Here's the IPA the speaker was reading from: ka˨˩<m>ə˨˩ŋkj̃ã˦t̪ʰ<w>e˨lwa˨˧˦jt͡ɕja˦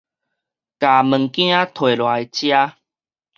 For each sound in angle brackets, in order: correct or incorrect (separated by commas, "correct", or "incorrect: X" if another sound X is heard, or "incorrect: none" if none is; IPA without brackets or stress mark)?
correct, correct